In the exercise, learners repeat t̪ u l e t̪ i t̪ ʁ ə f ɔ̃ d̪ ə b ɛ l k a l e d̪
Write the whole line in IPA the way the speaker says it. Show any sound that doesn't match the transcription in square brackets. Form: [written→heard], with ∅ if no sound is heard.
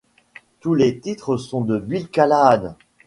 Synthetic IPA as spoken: t̪ u l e t̪ i t̪ [ʁ→χ] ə [f→s] ɔ̃ d̪ ə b [ɛ→i] l k a l [e→a] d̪